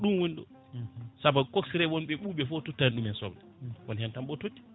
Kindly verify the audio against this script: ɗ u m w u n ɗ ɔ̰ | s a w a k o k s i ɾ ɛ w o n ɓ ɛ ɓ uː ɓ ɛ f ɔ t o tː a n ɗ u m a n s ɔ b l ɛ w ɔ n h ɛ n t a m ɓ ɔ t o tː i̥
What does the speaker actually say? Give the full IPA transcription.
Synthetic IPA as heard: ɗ u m w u n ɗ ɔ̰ | s a b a k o k s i ɾ ɛ w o n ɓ ɛ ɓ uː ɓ ɛ f ɔ t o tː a n ɗ u m ɛ n s ɔ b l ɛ w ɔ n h ɛ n t a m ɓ ɔ t o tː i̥